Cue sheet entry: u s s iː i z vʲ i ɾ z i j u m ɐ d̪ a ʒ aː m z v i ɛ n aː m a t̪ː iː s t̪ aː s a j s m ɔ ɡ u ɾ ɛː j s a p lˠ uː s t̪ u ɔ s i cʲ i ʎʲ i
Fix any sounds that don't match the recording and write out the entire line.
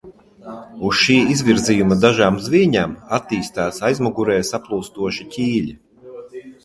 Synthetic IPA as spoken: u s ʃ iː i z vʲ i ɾ z i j u m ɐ d̪ a ʒ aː m z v i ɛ ɲ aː m a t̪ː iː s t̪ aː s a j z m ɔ ɡ u ɾ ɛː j s a p lˠ uː s t̪ u ɔ ʃ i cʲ iː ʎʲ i